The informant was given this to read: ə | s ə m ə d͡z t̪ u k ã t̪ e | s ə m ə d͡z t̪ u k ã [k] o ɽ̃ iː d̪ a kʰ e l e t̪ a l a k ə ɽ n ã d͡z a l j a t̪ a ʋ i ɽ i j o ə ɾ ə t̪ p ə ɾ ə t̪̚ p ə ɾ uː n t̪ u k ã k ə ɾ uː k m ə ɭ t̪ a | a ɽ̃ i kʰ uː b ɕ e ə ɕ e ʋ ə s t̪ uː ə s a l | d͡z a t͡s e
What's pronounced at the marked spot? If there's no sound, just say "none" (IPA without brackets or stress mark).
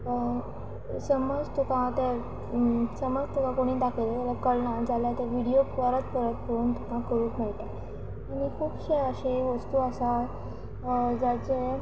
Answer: k